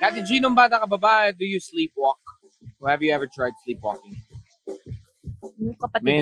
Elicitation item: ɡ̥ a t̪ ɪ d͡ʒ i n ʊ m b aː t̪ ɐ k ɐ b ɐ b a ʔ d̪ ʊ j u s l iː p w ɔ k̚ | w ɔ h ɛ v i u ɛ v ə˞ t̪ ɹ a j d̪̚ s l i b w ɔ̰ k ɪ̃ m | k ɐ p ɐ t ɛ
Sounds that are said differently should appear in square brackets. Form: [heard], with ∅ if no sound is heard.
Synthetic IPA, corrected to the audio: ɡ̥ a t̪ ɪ d͡ʒ i n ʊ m b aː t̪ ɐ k ɐ b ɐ b a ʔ d̪ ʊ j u s l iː p w ɔ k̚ | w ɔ h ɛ v [j] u ɛ v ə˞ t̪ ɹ a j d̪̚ s l i [p] w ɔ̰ k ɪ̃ [ŋ] | k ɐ p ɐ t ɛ